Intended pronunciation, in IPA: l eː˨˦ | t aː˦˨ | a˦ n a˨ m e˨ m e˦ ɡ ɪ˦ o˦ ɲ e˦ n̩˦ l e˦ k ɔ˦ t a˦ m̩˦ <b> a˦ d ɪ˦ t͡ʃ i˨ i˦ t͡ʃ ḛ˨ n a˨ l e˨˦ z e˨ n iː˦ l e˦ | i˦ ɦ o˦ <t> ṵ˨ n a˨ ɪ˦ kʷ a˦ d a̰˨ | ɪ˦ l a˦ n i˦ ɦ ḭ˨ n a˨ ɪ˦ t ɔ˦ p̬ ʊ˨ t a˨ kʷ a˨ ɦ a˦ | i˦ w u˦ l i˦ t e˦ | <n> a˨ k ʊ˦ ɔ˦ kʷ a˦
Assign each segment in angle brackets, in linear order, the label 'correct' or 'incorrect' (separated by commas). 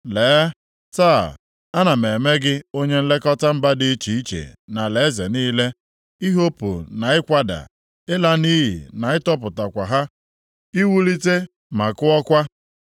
correct, incorrect, incorrect